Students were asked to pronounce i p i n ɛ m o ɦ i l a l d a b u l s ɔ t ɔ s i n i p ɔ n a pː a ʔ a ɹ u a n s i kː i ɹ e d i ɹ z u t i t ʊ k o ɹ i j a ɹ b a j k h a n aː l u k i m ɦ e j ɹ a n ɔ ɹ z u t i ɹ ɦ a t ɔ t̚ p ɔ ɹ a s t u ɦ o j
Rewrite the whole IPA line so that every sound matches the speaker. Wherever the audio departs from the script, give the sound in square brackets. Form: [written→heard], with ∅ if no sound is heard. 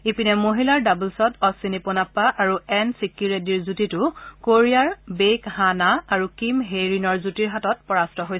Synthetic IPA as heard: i p i n ɛ m o ɦ i l a [l→ɹ] d a b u l s ɔ t ɔ s i n i p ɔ n a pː a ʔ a ɹ u [a→ɛ] n s i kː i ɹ e d i ɹ z u t i t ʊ k o ɹ i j a ɹ b [a→e] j k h a n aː [l→ɹ] u k i m ɦ e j ɹ [a→i] n ɔ ɹ z u t i ɹ ɦ a t ɔ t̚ p ɔ ɹ a s t [u→ɔ] ɦ o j